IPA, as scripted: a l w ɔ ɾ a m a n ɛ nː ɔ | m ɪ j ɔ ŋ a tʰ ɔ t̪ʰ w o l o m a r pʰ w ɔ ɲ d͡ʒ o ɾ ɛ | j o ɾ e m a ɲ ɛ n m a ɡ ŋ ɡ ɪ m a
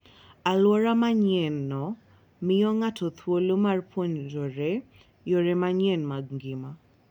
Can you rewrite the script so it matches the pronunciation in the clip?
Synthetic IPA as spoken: a l w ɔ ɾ a m a ɲ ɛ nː ɔ | m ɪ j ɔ ŋ a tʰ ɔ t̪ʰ w o l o m a r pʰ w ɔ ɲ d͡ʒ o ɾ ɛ | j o ɾ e m a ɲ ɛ n m a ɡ ŋ ɡ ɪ m a

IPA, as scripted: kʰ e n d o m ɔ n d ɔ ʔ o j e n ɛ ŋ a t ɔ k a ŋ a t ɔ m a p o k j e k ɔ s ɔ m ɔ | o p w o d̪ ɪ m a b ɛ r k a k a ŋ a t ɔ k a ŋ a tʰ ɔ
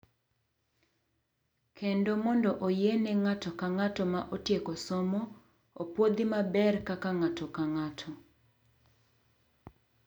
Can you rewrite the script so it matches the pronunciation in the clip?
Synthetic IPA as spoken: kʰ e n d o m ɔ n d ɔ ʔ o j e n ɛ ŋ a t ɔ k a ŋ a t ɔ m a ʔ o t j e k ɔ s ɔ m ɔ | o p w o d̪ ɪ m a b ɛ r k a k a ŋ a t ɔ k a ŋ a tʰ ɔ

